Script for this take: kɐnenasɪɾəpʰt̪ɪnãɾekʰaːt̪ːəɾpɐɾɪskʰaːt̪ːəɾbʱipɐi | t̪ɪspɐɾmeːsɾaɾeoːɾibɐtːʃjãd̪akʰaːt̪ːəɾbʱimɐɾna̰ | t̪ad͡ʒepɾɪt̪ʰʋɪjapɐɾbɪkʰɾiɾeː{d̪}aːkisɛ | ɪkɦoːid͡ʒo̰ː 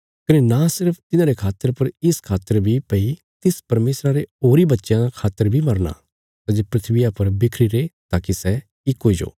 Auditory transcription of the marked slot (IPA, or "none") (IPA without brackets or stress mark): t̪